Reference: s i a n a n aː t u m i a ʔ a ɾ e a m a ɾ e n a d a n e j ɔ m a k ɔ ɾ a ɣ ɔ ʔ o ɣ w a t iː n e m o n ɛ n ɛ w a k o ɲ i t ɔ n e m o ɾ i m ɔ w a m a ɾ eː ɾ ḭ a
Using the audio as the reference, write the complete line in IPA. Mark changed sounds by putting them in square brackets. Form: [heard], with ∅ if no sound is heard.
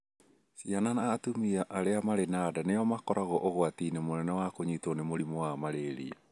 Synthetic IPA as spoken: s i a n a n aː t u m i a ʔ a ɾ e a m a ɾ e n a d a n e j ɔ m a k ɔ ɾ a ɣ ɔ ʔ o ɣ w a t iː n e m o n ɛ n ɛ w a k o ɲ i t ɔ n e m o ɾ i m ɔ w a m a ɾ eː ɾ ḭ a